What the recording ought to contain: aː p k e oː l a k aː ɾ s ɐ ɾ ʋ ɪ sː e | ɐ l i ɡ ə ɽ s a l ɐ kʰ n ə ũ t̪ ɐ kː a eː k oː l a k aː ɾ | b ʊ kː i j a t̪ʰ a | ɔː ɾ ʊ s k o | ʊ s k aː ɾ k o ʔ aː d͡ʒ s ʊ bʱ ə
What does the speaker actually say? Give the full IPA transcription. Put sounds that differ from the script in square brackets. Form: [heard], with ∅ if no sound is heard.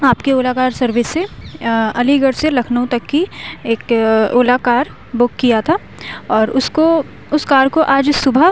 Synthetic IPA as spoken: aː p k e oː l a k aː ɾ s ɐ ɾ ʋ ɪ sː e | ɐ l i ɡ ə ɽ s [e] l ɐ kʰ n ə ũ t̪ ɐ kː [i] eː k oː l a k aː ɾ | b ʊ kː i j a t̪ʰ a | ɔː ɾ ʊ s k o | ʊ s k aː ɾ k o ʔ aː d͡ʒ s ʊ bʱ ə